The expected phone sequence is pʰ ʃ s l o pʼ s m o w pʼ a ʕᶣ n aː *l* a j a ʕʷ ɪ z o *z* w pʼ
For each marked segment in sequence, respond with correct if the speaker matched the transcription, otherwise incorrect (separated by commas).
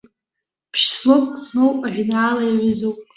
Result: correct, incorrect